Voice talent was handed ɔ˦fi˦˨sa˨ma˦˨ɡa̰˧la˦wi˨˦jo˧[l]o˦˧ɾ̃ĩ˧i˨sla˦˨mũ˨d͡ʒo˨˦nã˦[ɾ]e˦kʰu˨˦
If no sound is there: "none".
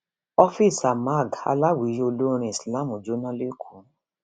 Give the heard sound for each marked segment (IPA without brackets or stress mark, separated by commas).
l, l